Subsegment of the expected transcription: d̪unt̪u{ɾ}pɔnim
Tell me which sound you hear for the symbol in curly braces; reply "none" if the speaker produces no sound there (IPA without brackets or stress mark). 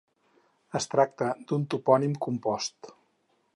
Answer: none